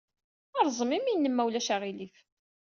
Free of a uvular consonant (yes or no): no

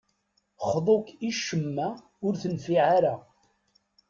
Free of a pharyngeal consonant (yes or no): no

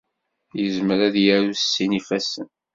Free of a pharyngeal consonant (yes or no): yes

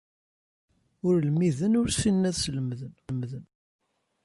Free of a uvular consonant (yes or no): yes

